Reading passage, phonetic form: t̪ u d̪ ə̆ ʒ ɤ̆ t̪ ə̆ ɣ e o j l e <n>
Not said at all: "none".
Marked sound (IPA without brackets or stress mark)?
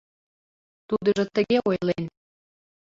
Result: n